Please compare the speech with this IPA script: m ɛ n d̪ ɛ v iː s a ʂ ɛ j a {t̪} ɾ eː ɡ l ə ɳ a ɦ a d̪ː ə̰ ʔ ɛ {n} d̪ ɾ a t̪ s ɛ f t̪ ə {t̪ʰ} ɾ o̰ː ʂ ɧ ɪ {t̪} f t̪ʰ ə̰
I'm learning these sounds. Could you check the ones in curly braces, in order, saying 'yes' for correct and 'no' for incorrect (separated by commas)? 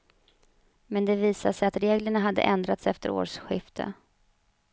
yes, yes, no, no